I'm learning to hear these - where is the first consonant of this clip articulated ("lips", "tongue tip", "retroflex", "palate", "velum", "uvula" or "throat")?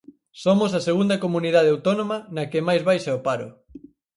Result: tongue tip